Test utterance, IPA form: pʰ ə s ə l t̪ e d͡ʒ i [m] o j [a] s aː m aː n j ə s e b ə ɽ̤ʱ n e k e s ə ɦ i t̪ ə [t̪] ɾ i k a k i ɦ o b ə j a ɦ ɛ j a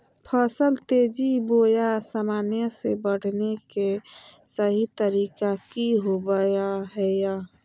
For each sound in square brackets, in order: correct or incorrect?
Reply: incorrect: b, correct, incorrect: none

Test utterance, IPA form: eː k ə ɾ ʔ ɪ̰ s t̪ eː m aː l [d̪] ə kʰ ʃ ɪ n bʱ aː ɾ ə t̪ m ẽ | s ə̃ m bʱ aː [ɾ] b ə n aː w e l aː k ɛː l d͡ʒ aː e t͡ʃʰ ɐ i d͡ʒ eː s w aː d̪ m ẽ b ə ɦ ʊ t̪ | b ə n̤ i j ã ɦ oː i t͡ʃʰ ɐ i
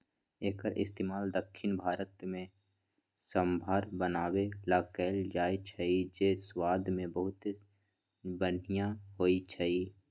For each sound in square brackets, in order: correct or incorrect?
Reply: correct, correct

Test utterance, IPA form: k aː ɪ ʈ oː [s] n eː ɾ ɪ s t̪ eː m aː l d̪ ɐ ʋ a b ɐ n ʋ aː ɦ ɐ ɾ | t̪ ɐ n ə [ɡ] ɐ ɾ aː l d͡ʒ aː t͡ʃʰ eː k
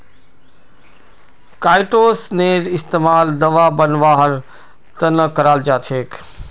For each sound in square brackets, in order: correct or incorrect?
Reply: correct, incorrect: k

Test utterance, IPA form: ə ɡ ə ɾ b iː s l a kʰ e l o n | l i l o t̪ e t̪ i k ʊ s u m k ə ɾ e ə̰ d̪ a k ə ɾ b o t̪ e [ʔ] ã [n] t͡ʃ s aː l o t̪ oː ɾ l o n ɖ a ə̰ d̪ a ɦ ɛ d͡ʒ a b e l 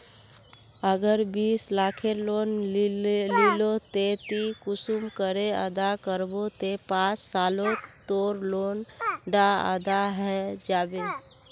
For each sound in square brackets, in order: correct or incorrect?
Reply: incorrect: p, incorrect: none

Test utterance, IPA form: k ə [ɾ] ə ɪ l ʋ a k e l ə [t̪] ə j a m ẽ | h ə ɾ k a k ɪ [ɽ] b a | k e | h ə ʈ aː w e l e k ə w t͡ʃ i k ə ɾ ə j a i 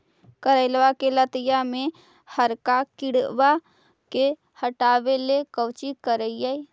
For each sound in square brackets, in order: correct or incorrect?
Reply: correct, correct, correct

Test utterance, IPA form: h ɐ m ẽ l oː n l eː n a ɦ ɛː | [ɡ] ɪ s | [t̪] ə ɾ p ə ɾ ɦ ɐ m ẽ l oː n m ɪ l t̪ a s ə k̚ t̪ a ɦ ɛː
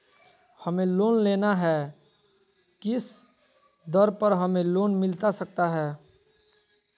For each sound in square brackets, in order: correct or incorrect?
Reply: incorrect: k, incorrect: d̪

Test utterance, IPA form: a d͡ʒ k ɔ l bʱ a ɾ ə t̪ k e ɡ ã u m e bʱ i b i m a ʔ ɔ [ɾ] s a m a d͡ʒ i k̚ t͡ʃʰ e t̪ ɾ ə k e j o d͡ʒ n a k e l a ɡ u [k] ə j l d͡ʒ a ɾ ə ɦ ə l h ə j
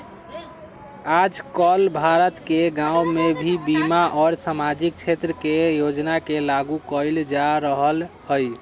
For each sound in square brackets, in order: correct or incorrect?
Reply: correct, correct

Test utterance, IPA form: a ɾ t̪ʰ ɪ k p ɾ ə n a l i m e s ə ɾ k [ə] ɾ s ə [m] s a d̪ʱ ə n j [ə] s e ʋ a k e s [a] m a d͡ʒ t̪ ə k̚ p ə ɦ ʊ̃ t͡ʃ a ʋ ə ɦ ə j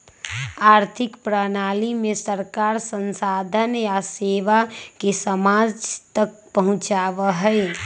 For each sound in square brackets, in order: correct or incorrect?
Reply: incorrect: a, incorrect: n, incorrect: a, incorrect: ə

